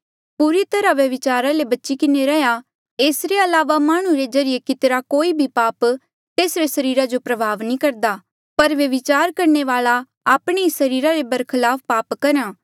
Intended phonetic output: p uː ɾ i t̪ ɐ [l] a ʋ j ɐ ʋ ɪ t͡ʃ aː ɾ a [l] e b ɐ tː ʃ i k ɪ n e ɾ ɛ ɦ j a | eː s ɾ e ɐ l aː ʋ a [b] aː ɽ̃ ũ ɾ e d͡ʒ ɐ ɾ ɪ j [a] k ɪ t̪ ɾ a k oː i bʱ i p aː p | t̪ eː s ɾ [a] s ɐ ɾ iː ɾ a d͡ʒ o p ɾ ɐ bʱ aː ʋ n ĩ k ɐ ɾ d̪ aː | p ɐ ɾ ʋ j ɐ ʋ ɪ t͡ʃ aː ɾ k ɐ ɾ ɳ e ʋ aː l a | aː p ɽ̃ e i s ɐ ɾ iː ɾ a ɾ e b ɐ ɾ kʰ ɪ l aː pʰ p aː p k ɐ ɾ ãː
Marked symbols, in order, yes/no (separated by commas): no, yes, no, no, no